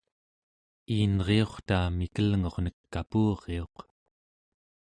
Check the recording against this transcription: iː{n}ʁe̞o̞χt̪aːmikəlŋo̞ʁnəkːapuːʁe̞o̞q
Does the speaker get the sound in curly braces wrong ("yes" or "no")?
no